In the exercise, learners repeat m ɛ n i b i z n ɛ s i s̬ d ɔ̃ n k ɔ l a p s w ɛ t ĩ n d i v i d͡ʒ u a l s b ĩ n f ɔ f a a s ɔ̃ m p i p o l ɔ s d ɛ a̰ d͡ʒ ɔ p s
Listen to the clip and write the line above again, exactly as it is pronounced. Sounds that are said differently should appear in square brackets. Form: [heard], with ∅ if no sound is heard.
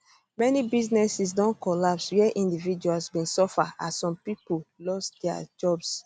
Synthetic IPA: m ɛ n i b i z n ɛ s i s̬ d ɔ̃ n k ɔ l a p s w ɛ [ʔ] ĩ n d i v i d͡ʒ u a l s b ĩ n [s] ɔ f a a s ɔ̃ m p i p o l ɔ s d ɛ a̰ d͡ʒ ɔ [b] s

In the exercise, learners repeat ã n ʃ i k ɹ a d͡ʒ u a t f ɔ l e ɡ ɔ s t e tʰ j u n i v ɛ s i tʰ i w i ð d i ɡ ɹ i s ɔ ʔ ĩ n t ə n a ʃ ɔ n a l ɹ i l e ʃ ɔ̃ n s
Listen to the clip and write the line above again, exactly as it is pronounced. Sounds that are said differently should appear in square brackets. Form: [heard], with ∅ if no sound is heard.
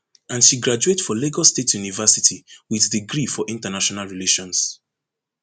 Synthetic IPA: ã n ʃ i [ɡ] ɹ a d͡ʒ u [e] t f ɔ l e ɡ ɔ s t e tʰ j u n i v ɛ s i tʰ i w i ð d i ɡ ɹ i [f] ɔ ʔ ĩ n t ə n a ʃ ɔ n a l ɹ i l e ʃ ɔ̃ n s

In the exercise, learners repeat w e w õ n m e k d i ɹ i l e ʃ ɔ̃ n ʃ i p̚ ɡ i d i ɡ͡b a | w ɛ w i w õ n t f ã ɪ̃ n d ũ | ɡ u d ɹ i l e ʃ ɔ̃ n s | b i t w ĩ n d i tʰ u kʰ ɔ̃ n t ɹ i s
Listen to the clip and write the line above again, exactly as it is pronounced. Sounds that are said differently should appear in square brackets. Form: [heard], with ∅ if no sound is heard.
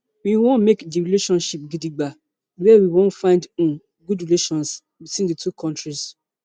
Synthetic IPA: w [i] w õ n m e k d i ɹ i l e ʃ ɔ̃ n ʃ i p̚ ɡ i d i ɡ͡b a | w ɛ w i w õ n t f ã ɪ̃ n d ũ | ɡ u d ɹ i l e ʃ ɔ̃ n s | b i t w ĩ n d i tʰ u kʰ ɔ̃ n t ɹ i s

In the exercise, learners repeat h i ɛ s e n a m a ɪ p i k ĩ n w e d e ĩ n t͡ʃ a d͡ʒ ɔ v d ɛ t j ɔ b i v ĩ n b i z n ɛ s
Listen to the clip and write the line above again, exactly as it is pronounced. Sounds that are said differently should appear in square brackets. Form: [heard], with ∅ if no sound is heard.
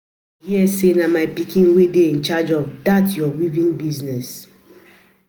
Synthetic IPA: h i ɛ s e n a m a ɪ p i k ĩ n w e d e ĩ n t͡ʃ a d͡ʒ ɔ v d [a] t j ɔ [w] i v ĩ n b i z n ɛ s

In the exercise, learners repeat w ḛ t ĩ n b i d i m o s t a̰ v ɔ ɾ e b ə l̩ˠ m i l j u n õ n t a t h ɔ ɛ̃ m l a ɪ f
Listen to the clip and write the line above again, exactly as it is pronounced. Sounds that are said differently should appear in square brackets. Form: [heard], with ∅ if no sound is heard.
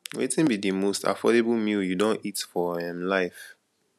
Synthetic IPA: w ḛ t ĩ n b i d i m o s t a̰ [f] ɔ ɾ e b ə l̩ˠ m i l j u [d] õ n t [i] t [f] ɔ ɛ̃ m l a ɪ f

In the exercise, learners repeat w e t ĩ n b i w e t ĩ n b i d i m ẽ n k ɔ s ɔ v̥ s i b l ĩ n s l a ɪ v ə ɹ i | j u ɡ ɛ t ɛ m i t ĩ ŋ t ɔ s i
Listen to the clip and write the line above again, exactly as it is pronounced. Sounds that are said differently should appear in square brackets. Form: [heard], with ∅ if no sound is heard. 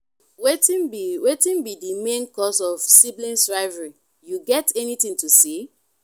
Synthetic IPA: w e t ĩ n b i w e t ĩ n b i d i m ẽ n k ɔ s ɔ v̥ s i b l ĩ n s [ɹ] a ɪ v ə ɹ i | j u ɡ ɛ t ɛ [n] i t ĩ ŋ t [u] s i

